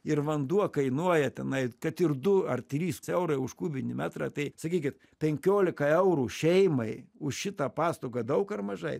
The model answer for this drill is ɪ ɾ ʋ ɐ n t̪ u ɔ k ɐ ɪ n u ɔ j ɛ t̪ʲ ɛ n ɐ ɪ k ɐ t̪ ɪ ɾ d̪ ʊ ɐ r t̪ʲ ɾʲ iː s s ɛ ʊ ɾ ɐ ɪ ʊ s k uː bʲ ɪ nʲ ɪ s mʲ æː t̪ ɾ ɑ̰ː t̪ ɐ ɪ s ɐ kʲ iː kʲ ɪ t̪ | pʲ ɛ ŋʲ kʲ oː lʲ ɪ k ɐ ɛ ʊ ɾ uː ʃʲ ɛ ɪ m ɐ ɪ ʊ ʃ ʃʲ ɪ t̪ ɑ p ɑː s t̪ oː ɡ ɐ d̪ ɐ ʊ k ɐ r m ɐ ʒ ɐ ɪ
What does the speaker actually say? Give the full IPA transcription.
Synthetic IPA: ɪ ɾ ʋ ɐ n d̪ u ɔ k ɐ ɪ n u ɔ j ɛ t̪ʲ ɛ n ɐ ɪ k ɐ t̪ ɪ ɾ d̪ ʊ ɐ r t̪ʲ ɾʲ iː s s ɛ ʊ ɾ ɐ ɪ ʊ ʃ k uː bʲ ɪ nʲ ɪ mʲ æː t̪ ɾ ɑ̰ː t̪ ɐ ɪ s ɐ kʲ iː kʲ ɪ t̪ | pʲ ɛ ŋʲ kʲ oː lʲ ɪ k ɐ ɛ ʊ ɾ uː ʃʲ ɛ ɪ m ɐ ɪ ʊ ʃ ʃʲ ɪ t̪ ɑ p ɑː s t̪ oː ɡ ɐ d̪ ɐ ʊ k ɐ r m ɐ ʒ ɐ ɪ